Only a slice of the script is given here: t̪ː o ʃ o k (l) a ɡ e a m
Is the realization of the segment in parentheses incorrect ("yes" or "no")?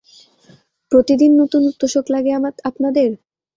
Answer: no